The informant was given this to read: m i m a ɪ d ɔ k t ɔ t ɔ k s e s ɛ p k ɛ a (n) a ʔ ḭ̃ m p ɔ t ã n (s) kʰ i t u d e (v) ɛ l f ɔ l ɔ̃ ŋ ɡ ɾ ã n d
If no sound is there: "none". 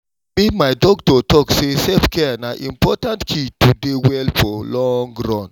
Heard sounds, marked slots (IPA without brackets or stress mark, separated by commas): n, t, w